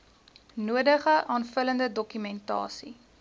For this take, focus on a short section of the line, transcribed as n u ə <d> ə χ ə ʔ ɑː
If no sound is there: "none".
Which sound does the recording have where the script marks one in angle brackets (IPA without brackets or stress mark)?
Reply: d